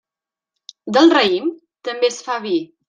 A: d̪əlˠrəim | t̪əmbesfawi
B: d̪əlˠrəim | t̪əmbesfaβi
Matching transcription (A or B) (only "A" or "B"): B